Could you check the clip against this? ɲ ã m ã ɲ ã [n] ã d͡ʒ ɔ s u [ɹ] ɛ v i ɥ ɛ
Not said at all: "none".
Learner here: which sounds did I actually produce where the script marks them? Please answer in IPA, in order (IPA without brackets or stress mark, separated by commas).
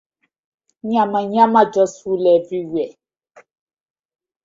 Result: m, l